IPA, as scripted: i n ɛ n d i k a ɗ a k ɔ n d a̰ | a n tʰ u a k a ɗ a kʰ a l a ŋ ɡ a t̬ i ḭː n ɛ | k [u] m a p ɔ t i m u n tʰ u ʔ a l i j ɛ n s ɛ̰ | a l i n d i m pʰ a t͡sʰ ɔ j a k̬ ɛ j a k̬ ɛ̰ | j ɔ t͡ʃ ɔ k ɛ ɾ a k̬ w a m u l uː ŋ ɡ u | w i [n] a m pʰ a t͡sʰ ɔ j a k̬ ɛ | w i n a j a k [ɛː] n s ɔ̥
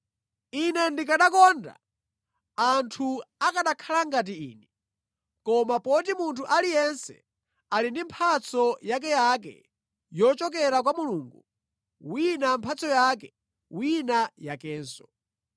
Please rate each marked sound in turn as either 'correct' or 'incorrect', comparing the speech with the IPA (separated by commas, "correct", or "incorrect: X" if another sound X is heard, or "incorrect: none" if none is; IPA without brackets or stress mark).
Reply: incorrect: ɔ, correct, correct